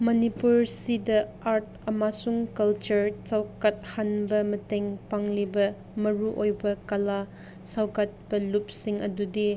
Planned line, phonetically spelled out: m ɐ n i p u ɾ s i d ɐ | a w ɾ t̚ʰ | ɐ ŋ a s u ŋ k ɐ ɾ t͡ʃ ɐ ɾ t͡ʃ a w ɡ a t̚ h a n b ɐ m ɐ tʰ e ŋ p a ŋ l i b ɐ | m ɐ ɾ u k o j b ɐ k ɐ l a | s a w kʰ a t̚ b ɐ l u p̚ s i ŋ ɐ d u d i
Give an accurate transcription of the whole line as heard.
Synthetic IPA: m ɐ n i p u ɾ s i d ɐ | a ɾ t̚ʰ | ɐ m a s u ŋ k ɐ l t͡ʃ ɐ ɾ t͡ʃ a w k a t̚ h a n b ɐ m ɐ t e ŋ p a ŋ l i b ɐ | m ɐ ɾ u ʔ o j b ɐ k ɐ l a | s a w k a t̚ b ɐ l u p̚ s i ŋ ɐ d u d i